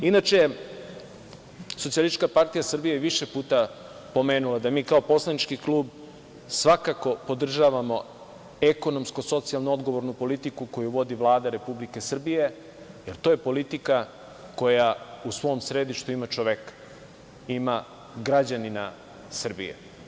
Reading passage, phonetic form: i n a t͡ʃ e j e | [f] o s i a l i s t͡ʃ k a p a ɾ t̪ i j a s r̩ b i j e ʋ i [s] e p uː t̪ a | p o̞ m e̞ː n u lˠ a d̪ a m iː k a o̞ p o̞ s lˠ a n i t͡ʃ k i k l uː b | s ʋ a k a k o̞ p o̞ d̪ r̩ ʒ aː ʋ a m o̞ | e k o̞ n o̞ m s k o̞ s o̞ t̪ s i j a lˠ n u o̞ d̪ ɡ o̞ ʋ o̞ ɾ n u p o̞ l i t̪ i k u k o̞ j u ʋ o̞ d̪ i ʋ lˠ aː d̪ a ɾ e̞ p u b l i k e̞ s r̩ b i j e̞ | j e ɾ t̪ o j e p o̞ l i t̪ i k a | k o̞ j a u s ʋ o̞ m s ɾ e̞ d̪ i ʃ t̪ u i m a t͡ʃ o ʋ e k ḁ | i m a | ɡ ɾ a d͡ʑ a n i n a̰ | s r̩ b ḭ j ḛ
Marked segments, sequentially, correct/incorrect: incorrect: s, incorrect: ʃ

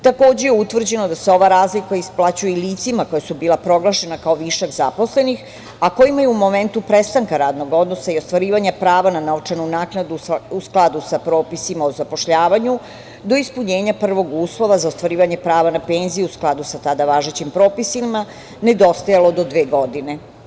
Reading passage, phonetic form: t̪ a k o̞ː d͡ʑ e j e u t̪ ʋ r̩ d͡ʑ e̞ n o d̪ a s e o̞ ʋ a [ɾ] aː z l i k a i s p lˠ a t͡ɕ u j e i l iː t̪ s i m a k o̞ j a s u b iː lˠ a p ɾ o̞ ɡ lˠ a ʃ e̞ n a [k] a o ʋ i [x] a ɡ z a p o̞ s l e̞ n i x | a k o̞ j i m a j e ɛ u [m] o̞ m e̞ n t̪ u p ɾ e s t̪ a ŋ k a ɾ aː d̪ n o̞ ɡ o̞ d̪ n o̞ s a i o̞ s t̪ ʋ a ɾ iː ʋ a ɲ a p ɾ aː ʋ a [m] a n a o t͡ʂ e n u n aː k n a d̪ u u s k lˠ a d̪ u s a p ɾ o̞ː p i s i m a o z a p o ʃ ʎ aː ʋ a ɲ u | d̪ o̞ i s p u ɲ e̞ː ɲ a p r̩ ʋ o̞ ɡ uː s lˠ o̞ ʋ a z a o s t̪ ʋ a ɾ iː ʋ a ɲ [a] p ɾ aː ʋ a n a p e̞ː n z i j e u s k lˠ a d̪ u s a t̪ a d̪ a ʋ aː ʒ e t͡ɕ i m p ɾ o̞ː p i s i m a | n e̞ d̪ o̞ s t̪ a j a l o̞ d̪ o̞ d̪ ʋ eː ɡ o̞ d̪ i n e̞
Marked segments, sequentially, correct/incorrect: correct, correct, incorrect: ʃ, correct, incorrect: n, incorrect: e

